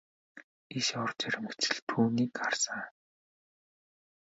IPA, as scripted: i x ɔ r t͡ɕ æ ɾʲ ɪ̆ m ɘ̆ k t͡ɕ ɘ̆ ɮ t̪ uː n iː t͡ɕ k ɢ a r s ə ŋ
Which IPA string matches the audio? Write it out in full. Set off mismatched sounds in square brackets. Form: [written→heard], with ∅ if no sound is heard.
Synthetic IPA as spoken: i [x→ʃ] ɔ r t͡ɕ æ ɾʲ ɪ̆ m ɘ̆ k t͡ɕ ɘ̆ ɮ [t̪→t̪ʰ] uː n iː [t͡ɕ→∅] k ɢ a r s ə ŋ